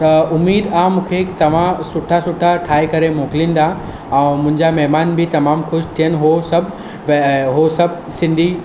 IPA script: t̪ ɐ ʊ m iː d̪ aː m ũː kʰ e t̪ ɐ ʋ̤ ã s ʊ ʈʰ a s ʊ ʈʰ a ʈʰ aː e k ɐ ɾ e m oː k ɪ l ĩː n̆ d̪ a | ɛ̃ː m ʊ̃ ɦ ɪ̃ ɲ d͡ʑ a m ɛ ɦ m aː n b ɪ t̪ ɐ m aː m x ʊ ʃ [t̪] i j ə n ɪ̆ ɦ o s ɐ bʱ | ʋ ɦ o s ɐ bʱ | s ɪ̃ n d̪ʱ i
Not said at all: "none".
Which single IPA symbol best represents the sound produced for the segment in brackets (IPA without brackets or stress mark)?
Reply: t̪ʰ